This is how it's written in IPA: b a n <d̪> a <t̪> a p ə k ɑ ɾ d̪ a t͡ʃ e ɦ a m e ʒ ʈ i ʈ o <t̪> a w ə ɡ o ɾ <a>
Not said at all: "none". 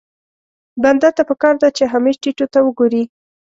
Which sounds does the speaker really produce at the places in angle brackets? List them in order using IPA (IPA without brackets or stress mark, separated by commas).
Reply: d̪, t̪, t̪, i